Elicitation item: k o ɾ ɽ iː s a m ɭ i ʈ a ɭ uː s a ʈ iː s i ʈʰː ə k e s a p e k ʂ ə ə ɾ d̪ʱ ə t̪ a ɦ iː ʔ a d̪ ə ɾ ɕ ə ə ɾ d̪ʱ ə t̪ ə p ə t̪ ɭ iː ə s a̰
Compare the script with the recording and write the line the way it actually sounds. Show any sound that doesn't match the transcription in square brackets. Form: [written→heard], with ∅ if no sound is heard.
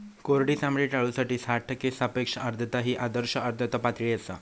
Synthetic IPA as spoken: k o ɾ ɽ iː s a m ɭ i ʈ a ɭ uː s a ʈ iː s [i→a] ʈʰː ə k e s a p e k ʂ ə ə ɾ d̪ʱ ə t̪ a ɦ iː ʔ a d̪ ə ɾ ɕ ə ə ɾ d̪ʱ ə t̪ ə p [ə→a] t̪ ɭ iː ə s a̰